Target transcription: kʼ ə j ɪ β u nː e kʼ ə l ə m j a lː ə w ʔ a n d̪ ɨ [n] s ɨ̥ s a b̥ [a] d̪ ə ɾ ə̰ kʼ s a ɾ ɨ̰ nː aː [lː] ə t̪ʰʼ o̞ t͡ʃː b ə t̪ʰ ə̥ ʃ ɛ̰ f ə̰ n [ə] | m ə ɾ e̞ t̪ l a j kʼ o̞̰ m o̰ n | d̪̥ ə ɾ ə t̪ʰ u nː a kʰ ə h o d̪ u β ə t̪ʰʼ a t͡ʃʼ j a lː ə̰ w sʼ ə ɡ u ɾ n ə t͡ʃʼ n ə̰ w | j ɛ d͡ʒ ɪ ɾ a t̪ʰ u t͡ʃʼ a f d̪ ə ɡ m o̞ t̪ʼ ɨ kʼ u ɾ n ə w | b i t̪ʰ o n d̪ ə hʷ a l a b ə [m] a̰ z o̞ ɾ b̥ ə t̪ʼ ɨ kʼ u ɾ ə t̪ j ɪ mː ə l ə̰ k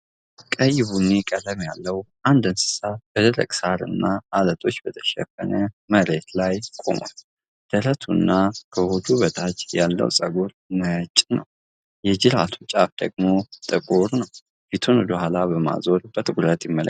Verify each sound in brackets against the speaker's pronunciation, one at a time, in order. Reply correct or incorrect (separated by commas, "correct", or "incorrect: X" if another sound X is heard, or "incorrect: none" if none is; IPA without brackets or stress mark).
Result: correct, incorrect: ə, incorrect: l, correct, correct